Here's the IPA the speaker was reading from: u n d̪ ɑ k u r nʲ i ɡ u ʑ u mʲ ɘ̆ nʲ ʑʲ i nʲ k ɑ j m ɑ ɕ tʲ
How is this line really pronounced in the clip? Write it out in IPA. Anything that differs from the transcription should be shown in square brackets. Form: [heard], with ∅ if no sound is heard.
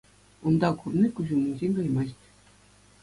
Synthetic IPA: u n d̪ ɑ k u r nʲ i [k] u ʑ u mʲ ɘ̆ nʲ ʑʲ [e] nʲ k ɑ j m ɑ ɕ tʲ